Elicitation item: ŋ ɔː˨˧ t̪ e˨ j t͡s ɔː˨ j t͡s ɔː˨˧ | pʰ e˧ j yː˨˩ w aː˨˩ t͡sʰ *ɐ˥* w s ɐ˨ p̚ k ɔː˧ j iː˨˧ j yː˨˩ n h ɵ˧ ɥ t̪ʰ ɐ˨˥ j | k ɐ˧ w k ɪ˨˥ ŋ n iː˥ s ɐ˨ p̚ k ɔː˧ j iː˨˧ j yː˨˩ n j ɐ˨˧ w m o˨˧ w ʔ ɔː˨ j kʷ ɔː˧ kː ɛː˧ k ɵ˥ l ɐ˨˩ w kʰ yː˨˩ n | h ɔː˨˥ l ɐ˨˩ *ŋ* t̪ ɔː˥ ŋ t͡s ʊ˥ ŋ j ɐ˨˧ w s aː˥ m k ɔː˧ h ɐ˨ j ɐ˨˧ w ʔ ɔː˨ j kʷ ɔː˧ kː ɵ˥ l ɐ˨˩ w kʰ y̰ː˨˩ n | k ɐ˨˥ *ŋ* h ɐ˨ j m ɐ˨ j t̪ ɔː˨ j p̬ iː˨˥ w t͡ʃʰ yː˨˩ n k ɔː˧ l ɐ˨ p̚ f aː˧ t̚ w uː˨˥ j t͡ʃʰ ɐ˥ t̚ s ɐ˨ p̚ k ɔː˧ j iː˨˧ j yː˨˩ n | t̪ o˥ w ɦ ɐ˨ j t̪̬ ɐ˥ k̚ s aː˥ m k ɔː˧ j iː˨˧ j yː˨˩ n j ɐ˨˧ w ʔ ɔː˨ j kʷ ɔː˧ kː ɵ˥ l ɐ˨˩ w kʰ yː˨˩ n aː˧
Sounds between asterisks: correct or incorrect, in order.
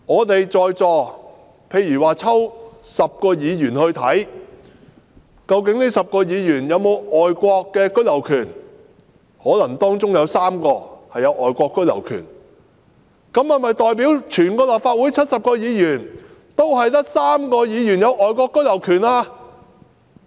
correct, correct, incorrect

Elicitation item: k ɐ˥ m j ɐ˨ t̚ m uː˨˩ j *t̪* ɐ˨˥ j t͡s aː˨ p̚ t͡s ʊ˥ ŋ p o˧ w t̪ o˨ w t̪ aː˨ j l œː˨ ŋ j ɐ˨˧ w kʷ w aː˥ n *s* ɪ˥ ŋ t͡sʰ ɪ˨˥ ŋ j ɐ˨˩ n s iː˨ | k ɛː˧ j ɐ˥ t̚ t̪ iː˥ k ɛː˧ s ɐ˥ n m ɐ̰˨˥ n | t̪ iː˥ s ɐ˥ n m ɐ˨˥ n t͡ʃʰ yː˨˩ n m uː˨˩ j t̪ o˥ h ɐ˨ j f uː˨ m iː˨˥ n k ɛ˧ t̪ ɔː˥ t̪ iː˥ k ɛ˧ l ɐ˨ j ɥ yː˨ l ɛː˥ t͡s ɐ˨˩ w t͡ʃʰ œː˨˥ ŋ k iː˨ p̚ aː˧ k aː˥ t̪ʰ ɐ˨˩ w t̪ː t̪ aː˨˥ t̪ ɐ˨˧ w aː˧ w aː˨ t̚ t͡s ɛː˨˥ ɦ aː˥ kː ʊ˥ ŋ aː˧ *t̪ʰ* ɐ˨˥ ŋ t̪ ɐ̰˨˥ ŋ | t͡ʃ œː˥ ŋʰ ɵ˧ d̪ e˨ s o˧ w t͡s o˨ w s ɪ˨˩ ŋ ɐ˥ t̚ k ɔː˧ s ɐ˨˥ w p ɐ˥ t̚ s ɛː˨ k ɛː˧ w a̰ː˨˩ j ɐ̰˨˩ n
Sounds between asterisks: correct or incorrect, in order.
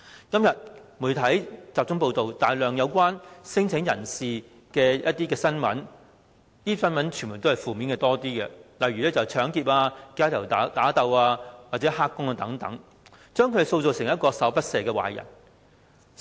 incorrect, correct, incorrect

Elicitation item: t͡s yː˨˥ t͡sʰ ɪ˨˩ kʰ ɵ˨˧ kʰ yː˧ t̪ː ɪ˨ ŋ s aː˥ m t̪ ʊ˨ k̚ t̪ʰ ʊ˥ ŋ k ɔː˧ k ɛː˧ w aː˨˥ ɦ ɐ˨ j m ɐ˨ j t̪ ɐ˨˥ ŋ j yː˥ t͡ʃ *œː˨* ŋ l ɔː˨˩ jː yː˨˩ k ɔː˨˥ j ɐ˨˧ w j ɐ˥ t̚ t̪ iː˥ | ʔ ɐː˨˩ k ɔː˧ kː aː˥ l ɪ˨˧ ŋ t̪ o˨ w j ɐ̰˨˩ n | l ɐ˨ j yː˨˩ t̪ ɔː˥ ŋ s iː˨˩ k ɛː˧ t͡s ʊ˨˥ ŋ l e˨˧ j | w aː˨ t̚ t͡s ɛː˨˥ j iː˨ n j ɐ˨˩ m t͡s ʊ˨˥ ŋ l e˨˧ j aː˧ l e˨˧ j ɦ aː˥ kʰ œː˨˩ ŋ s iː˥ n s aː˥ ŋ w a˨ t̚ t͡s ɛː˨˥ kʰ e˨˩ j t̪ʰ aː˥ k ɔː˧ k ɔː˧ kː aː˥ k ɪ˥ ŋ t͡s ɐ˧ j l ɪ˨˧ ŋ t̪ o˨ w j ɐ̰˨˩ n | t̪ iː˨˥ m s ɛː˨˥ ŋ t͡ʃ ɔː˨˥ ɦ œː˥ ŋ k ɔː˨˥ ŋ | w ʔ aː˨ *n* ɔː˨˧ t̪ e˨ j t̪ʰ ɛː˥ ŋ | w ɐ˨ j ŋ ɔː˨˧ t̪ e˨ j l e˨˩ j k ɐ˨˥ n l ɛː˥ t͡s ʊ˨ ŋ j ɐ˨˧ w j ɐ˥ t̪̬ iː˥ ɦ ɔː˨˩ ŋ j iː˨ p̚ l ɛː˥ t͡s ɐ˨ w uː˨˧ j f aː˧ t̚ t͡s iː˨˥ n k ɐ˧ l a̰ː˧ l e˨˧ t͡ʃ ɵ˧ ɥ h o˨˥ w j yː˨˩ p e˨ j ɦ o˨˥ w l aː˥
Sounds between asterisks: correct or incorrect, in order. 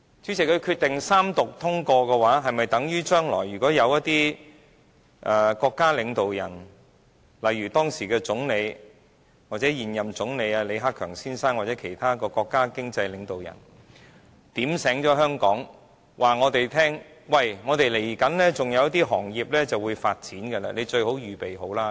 incorrect, incorrect

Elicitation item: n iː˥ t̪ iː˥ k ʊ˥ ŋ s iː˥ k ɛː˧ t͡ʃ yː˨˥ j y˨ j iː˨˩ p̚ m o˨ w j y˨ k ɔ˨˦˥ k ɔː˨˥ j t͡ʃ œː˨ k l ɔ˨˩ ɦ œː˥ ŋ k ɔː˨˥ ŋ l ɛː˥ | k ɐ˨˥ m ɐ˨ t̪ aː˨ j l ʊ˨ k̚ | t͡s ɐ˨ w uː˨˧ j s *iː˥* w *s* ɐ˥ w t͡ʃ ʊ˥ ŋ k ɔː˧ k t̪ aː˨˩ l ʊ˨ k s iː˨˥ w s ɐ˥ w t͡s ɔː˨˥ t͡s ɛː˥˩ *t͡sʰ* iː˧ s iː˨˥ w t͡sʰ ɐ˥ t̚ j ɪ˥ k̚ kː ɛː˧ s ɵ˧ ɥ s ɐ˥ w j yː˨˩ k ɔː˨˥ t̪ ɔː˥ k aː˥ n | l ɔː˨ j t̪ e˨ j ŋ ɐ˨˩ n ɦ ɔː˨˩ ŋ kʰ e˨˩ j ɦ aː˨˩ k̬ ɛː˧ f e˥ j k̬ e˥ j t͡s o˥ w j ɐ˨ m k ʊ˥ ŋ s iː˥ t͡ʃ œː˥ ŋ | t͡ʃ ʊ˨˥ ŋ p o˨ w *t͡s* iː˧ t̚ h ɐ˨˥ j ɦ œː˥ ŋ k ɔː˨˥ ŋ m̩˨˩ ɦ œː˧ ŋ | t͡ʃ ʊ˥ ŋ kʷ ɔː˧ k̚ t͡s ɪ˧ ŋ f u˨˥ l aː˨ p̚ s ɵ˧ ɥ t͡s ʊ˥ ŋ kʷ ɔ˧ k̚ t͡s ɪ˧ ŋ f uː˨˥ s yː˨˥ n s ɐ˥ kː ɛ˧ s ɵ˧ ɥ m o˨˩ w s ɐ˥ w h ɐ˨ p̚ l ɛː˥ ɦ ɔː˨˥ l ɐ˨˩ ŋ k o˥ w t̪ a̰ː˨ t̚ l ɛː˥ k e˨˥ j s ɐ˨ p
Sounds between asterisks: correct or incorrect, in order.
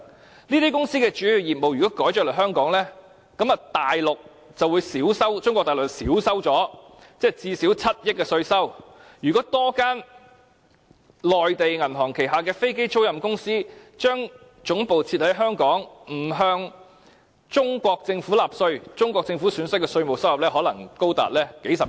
incorrect, correct, incorrect, incorrect

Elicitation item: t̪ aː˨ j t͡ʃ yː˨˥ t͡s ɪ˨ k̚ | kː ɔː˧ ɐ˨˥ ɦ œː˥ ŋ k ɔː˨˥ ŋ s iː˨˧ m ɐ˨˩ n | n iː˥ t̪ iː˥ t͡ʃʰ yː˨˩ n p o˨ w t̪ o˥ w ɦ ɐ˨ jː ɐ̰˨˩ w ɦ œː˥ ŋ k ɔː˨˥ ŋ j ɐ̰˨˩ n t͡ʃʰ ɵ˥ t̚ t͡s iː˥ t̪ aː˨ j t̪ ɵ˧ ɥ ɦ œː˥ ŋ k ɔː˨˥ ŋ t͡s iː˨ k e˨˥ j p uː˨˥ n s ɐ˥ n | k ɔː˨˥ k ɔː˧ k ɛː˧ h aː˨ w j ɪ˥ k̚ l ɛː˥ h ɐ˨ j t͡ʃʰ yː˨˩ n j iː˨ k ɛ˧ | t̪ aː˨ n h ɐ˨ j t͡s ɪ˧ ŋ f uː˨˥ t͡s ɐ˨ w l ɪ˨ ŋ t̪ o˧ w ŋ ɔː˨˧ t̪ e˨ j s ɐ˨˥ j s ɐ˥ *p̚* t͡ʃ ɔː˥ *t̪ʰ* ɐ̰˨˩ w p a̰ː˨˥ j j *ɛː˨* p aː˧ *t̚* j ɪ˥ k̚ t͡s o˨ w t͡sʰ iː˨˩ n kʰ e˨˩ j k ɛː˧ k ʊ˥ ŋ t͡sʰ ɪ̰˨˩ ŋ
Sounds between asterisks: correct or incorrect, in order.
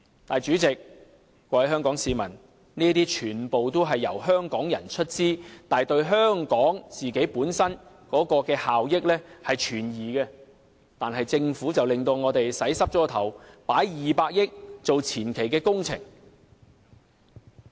correct, correct, incorrect, incorrect

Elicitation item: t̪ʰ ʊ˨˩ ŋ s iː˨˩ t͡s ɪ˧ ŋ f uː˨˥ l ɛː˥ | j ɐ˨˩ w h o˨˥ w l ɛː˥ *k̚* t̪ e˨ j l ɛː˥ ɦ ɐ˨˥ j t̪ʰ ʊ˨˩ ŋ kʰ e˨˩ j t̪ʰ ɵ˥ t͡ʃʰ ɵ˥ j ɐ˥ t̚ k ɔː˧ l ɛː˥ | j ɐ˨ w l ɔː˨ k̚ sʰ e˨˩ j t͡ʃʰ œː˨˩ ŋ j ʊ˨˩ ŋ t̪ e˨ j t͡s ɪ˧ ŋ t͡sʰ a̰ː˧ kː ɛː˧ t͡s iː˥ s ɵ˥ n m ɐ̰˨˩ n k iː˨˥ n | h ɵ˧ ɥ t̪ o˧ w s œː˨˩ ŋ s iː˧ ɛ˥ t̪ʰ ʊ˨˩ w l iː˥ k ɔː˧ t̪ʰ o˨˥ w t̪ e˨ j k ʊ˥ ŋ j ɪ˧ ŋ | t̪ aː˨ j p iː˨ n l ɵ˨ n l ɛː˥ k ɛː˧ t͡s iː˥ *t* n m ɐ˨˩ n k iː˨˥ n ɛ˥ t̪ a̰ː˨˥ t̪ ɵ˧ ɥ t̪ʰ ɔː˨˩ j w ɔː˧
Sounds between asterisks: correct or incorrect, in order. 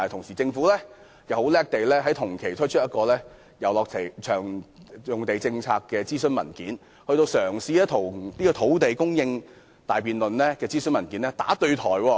correct, incorrect

